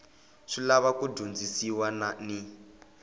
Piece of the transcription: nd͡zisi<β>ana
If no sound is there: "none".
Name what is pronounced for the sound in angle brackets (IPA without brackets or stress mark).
w